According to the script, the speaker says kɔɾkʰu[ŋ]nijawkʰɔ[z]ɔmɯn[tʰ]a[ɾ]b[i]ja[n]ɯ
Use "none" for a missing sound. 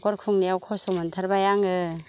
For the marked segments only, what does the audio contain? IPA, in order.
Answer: ŋ, s, tʰ, ɾ, a, ŋ

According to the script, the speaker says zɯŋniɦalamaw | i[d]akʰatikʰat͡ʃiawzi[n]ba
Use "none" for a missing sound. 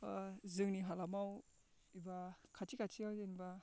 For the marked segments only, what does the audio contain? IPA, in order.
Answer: b, n

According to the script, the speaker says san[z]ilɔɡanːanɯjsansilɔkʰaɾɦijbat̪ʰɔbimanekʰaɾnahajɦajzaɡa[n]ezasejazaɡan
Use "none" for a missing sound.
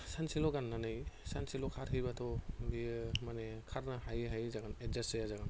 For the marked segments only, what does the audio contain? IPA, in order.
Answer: s, n

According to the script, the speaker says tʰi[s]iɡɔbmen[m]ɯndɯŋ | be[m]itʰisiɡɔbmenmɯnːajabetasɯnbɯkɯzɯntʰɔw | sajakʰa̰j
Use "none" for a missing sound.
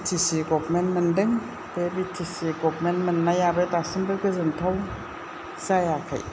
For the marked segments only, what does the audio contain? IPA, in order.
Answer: s, m, b

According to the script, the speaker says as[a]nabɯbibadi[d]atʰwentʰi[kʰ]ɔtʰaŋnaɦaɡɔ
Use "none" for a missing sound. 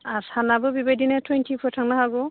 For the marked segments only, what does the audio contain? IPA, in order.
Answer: a, n, pʰ

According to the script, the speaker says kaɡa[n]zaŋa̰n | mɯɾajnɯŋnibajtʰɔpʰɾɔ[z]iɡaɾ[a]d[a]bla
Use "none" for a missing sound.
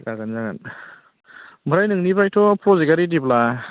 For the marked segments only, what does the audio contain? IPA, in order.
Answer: n, z, i, i

